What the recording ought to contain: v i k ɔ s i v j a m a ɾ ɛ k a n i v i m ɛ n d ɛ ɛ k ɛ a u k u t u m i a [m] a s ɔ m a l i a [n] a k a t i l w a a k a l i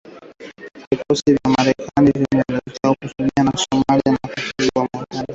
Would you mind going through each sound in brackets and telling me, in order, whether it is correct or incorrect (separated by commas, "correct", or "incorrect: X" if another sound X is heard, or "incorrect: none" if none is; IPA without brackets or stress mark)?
incorrect: n, correct